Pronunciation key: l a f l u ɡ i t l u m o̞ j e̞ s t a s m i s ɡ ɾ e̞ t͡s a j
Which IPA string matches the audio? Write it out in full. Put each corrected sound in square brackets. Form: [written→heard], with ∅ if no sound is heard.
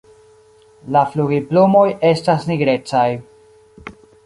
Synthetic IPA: l a f l u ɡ i [t→p] l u m o̞ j e̞ s t a s [m→n] i [s→∅] ɡ ɾ e̞ t͡s a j